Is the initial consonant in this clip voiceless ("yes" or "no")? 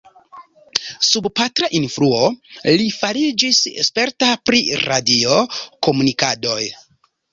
yes